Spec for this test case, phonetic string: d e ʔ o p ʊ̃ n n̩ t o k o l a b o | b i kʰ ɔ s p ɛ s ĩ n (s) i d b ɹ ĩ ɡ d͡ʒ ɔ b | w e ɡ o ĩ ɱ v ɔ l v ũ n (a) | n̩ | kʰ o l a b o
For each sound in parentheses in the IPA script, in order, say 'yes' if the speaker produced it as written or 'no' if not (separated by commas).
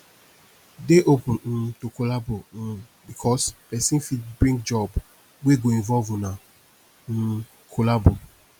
no, yes